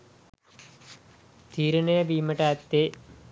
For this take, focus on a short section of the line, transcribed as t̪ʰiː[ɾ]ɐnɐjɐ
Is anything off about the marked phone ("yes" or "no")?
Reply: no